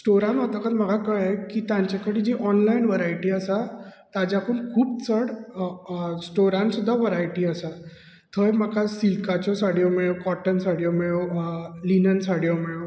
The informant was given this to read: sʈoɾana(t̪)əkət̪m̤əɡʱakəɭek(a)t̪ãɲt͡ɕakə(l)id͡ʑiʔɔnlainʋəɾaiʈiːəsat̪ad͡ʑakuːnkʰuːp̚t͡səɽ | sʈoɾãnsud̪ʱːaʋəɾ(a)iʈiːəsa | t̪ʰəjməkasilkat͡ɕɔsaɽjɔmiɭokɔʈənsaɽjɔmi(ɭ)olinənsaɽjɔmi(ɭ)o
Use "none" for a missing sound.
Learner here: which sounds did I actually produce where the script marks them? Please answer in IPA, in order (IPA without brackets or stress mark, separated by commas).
t̪, i, ɽ, a, ɭ, ɭ